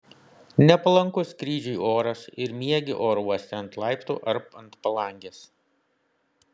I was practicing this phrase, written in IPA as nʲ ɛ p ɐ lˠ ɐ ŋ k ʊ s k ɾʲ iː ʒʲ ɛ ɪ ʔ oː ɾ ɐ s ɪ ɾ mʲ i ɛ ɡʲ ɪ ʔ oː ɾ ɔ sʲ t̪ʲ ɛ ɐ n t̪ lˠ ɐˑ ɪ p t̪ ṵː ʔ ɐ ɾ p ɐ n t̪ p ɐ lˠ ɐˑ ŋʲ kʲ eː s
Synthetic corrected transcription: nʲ ɛ p ɐ lˠ ɐ ŋ k ʊ s k ɾʲ iː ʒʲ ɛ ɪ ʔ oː ɾ ɐ s ɪ ɾ mʲ i ɛ ɡʲ ɪ ʔ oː ɾ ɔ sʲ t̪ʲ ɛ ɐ n t̪ lˠ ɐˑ ɪ p t̪ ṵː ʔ ɐ ɾ p ɐ n t̪ p ɐ lˠ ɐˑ ŋʲ ɡʲ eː s